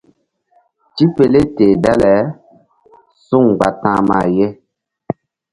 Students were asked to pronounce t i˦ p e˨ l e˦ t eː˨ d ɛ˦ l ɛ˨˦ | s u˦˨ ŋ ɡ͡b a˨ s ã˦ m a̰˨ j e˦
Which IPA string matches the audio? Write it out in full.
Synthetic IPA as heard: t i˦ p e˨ l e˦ t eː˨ d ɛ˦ l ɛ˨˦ | s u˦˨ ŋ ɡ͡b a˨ t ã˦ m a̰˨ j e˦